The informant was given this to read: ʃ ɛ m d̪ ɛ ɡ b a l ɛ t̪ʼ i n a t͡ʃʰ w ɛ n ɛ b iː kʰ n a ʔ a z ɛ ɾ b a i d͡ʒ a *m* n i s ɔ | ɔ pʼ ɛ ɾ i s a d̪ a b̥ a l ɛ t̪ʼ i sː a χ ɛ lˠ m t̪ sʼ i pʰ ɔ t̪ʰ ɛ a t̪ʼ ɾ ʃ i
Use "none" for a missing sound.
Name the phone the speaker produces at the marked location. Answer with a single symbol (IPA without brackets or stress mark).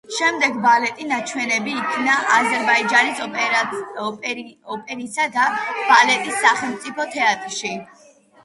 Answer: none